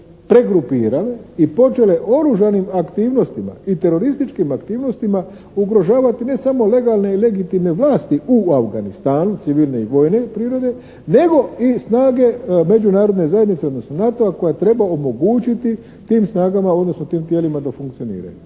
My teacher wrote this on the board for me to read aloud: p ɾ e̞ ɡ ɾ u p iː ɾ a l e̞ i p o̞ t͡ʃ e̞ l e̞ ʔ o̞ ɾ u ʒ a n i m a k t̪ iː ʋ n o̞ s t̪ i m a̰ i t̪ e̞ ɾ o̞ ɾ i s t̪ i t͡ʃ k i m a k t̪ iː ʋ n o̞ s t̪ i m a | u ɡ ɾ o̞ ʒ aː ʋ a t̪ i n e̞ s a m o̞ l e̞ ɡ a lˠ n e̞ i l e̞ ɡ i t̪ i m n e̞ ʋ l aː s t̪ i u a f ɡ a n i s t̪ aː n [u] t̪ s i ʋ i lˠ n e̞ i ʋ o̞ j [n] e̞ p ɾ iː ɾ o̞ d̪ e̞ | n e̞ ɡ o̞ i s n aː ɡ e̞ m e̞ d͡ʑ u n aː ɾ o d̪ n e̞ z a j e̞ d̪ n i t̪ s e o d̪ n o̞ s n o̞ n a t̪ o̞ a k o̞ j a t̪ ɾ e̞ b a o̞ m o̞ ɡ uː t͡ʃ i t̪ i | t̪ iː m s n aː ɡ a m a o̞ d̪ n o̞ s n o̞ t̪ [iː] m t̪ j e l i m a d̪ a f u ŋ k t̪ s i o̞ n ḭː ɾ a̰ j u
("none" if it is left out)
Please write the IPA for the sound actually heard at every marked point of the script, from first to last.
u, n, iː

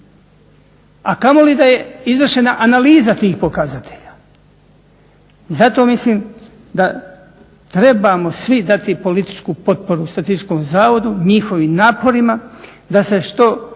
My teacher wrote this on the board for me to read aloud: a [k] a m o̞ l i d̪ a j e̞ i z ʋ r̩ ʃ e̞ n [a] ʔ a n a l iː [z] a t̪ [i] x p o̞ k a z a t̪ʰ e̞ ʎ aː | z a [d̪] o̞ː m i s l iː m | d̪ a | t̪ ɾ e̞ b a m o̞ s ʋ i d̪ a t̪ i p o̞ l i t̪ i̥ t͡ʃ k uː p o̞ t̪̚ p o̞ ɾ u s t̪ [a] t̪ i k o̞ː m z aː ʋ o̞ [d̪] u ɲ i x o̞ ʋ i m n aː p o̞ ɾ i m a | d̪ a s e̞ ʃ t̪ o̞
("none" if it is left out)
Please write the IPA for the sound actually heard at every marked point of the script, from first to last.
k, a, z, iː, t̪, a, d̪

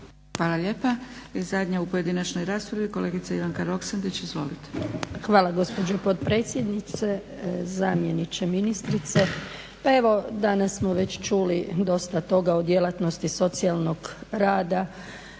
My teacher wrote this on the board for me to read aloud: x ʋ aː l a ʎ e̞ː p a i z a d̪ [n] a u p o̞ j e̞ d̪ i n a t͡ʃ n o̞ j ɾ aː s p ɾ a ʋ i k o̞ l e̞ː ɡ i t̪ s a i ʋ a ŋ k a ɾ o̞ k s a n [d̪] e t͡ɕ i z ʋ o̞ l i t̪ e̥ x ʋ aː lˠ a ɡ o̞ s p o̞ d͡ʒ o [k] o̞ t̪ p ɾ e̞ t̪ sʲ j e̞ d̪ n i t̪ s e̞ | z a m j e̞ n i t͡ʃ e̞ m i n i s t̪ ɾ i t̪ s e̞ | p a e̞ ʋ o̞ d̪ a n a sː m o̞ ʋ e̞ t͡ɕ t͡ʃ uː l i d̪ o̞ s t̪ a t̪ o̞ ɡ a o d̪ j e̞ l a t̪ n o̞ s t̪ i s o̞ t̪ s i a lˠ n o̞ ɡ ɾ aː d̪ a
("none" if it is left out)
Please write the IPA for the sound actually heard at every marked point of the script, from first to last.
ɲ, d̪, p

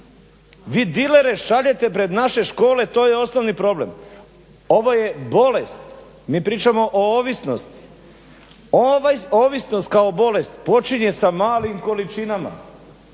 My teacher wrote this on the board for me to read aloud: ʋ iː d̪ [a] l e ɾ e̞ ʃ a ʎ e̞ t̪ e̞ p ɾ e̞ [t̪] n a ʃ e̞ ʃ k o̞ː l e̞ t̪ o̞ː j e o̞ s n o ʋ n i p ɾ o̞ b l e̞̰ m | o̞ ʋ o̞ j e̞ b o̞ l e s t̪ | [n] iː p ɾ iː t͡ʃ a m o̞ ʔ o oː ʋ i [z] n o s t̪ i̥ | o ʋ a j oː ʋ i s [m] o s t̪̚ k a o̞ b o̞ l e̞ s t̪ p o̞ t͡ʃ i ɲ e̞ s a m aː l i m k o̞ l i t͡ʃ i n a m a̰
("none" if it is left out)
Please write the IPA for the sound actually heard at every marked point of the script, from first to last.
i, d̪, m, s, n

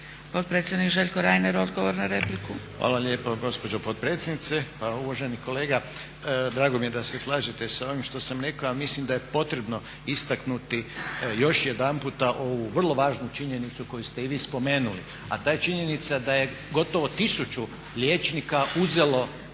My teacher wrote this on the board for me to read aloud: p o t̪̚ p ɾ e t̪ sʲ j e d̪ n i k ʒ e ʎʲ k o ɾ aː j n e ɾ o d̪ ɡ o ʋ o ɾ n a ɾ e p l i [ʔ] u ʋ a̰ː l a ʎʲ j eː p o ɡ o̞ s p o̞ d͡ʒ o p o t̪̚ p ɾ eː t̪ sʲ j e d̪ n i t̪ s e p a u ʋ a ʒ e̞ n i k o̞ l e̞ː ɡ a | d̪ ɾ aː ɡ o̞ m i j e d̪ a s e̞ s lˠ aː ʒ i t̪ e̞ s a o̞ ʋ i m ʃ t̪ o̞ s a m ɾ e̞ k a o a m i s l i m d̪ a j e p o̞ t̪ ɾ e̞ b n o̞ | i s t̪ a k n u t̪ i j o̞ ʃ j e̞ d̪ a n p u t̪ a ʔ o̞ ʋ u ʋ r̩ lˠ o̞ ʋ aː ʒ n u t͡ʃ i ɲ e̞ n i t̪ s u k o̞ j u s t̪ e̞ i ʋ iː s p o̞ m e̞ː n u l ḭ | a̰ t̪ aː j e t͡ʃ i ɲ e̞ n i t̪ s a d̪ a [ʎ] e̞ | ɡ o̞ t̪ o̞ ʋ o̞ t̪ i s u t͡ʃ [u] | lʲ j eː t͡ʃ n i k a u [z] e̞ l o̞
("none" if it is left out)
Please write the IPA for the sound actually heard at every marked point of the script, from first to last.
k, j, u, z

